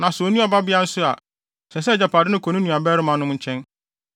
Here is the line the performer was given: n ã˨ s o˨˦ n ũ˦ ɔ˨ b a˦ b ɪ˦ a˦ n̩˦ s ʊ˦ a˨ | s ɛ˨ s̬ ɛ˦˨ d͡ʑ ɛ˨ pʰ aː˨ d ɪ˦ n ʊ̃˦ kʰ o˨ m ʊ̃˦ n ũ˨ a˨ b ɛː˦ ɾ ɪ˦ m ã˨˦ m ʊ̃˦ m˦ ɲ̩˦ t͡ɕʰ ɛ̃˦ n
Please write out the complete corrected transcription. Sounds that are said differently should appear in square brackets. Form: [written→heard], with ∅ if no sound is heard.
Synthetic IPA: n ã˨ s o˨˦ n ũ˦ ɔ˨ b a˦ b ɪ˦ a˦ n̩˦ s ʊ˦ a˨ | s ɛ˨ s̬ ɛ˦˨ d͡ʑ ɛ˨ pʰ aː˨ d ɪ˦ n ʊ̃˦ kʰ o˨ [m→n] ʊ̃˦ n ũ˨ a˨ b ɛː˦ ɾ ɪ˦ m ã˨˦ [m→n] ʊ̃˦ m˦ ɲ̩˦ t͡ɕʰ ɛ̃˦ n